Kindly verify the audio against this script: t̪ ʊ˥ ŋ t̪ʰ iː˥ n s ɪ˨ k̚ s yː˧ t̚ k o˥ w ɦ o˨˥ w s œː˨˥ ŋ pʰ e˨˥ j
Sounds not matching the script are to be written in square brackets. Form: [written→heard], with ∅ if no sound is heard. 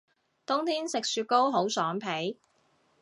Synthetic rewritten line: t̪ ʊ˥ ŋ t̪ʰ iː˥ n s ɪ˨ k̚ s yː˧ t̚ k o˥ w ɦ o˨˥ w s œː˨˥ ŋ pʰ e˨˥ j